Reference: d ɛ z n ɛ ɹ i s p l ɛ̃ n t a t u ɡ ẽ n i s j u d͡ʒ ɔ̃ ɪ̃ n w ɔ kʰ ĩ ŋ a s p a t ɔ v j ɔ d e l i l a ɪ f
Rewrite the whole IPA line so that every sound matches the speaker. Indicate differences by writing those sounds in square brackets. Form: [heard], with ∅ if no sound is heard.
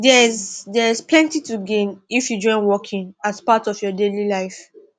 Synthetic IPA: d ɛ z [d] ɛ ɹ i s p l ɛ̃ n t [i] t u ɡ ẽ n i [f] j u d͡ʒ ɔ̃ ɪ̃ n w ɔ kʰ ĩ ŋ a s p a t ɔ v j ɔ d e l i l a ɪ f